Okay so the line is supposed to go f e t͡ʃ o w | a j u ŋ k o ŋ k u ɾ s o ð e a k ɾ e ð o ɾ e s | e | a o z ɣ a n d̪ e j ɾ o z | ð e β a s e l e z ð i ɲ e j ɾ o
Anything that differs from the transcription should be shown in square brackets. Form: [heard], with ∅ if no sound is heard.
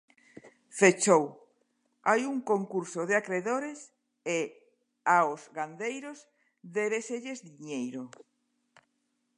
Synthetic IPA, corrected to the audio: f e t͡ʃ o w | a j u ŋ k o ŋ k u ɾ s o ð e a k ɾ e ð o ɾ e s | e | a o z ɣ a n d̪ e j ɾ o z | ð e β [e] s e [ʎ] e z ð i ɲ e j ɾ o